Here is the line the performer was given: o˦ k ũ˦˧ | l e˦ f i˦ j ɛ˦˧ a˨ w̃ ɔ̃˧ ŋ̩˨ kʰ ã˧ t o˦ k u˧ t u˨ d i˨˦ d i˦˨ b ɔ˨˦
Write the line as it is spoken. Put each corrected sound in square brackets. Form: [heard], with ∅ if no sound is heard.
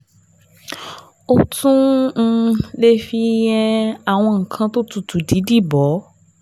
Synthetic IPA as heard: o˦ [t] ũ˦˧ | l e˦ f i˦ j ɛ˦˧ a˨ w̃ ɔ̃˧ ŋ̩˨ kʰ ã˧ t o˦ [t] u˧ t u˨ d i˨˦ d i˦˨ b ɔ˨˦